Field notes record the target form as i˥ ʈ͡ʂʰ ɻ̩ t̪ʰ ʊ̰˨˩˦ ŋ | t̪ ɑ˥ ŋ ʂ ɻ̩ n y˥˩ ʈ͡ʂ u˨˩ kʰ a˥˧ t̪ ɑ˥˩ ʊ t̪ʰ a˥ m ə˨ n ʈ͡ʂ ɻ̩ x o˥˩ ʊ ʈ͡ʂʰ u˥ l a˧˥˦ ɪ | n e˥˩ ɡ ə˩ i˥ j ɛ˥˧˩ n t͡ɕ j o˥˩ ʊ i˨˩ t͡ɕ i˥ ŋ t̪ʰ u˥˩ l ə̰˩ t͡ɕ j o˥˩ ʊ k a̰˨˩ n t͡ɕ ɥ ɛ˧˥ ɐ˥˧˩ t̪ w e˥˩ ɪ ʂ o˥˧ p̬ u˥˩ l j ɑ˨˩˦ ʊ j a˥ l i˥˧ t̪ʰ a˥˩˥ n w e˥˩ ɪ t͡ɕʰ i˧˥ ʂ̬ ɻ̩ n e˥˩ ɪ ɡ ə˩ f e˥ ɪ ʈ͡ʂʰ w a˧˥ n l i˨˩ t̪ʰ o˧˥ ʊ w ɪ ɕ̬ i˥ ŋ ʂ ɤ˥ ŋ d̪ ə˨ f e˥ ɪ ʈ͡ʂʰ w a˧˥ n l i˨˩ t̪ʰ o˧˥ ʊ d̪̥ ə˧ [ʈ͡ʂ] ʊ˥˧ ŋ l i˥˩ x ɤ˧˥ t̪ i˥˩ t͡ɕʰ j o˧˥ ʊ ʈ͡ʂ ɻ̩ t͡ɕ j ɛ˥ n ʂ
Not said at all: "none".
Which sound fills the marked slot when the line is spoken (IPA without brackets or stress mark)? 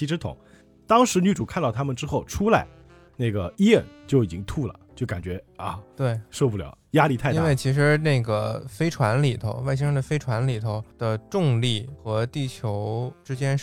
ʈ͡ʂ